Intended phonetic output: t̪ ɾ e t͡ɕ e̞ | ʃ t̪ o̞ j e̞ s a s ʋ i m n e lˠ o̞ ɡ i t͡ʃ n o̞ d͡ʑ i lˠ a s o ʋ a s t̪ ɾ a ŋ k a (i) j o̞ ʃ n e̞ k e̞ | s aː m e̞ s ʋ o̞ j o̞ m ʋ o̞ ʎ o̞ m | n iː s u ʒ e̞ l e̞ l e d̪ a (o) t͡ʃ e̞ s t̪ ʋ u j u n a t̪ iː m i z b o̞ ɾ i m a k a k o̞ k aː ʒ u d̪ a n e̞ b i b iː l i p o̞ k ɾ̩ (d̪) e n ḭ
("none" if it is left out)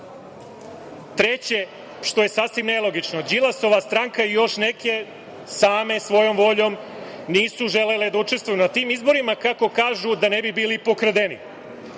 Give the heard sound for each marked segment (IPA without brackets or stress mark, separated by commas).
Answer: i, u, d̪